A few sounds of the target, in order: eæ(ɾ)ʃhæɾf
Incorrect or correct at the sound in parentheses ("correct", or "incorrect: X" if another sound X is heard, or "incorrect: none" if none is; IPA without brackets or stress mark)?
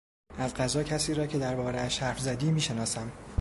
incorrect: none